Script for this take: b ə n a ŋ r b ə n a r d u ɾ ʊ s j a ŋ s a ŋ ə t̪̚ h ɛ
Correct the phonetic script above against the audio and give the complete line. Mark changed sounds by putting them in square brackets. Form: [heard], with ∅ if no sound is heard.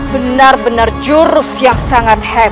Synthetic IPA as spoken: b ə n a [∅] r b ə n a r [d͡ʒ] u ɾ ʊ s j a ŋ s a ŋ [a] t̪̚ h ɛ